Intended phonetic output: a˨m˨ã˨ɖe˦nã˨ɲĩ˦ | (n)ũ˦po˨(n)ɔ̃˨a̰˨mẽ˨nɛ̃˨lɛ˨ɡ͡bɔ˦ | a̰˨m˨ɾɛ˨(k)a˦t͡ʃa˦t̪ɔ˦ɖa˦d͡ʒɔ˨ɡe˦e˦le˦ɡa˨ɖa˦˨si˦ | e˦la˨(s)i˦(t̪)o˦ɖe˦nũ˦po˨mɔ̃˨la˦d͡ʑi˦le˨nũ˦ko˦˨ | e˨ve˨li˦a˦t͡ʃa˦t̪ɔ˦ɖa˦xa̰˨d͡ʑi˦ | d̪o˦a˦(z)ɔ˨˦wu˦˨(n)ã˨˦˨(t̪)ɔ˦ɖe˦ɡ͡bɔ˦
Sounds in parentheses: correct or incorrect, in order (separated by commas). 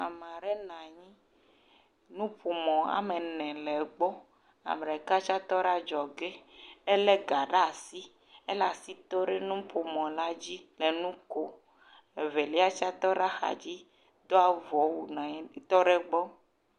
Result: correct, incorrect, correct, correct, correct, incorrect, correct, correct